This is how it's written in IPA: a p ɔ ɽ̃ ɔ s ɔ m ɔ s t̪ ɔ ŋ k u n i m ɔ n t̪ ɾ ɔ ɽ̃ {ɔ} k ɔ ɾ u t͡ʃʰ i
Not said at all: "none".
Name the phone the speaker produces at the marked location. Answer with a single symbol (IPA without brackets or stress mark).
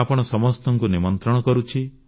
ɔ